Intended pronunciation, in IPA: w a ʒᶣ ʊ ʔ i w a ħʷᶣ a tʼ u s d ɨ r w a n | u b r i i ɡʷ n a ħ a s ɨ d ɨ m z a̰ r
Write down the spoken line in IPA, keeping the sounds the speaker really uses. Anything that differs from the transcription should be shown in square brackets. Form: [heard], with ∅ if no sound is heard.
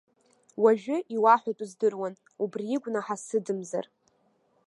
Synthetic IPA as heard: w a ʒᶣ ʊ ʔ i w a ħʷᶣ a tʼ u [z] d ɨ r w a n | u b r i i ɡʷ n a ħ a s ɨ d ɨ m z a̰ r